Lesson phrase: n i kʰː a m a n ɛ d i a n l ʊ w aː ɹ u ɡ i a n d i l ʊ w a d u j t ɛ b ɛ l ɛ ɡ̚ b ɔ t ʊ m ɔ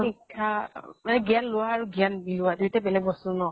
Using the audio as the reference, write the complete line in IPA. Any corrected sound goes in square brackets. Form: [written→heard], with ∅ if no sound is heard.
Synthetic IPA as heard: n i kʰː a m a n ɛ [d→ɡ] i a n l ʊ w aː ɹ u ɡ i a n [d→b] i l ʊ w a d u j t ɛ b ɛ l ɛ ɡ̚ b ɔ [t→s] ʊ [m→n] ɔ